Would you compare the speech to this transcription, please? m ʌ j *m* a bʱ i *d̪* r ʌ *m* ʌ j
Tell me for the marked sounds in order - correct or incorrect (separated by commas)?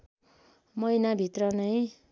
incorrect, incorrect, incorrect